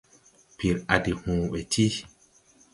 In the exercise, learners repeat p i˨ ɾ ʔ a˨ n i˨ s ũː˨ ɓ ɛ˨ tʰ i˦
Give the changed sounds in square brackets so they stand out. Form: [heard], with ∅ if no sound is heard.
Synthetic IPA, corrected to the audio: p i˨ ɾ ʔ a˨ [d] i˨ [h] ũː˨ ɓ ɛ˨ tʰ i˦